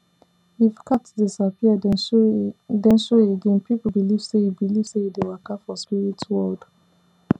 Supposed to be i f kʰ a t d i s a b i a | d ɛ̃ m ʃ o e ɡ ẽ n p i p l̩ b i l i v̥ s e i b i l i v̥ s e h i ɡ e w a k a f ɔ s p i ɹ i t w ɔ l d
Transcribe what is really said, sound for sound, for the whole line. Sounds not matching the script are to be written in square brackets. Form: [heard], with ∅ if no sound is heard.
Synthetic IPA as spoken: i f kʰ a t d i s a [p] i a | d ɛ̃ [n] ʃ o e ɡ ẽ n p i p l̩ b i l i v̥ s e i b i l i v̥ s e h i [d] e w a k a f ɔ s p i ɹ i t w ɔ l d